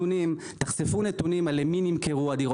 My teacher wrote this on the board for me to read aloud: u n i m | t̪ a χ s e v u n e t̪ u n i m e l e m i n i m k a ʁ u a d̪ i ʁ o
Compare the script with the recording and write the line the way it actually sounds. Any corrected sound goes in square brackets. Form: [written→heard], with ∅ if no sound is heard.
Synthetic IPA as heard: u n i m | t̪ a χ s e [v→f] u n e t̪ u n i m [e→a] l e m i n i m k [a→e] ʁ u a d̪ i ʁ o

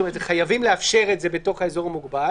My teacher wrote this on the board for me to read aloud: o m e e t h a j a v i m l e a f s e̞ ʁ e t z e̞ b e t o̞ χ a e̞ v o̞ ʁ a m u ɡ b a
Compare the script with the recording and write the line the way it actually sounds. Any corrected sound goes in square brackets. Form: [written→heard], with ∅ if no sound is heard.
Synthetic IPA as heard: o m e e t [h→χ] a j a v i m l e a f [s→ʃ] e̞ ʁ e t z e̞ b e t o̞ χ a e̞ [v→z] o̞ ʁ a m u ɡ b a

